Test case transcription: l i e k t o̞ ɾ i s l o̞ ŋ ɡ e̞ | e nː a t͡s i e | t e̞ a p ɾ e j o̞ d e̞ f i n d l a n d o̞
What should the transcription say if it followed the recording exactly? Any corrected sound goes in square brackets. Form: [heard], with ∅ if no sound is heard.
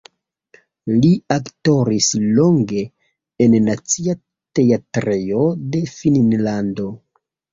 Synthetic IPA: l i [a] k t o̞ ɾ i s l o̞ ŋ ɡ e̞ | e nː a t͡s i [a] | t e̞ a [t] ɾ e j o̞ d e̞ f i n [n] l a n d o̞